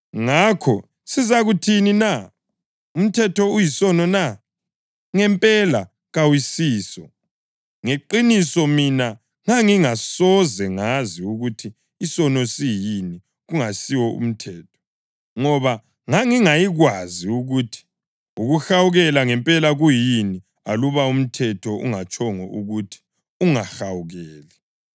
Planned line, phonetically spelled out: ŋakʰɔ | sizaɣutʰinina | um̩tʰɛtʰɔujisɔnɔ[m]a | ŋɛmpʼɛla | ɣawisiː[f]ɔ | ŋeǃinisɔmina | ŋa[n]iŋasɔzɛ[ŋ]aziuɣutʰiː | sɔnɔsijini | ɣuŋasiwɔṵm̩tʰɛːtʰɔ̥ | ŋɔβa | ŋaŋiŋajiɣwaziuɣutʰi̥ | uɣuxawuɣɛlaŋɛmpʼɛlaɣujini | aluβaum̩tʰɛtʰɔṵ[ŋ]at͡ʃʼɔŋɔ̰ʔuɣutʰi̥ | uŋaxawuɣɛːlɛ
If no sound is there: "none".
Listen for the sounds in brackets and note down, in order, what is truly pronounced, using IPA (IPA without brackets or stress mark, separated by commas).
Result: n, s, ŋ, ŋ, ŋ